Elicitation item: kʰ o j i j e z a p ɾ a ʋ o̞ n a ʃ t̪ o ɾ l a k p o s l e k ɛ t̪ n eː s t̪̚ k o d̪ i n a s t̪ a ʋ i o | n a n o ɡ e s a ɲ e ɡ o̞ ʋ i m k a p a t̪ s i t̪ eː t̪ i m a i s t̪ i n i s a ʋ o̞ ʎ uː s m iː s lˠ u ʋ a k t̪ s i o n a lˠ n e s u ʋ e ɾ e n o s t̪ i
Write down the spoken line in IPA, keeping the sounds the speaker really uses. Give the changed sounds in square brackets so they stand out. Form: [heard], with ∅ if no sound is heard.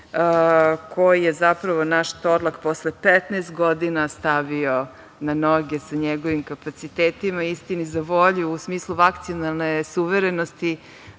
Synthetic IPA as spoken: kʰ o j i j e z a p ɾ a ʋ o̞ n a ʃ t̪ o ɾ l a k p o s l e [p] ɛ t̪ n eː s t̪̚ [ɡ] o d̪ i n a s t̪ a ʋ i o | n a n o ɡ e s a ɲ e ɡ o̞ ʋ i m k a p a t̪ s i t̪ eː t̪ i m a i s t̪ i n i [z] a ʋ o̞ ʎ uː s m iː s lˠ u ʋ a k t̪ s i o n a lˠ n e s u ʋ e ɾ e n o s t̪ i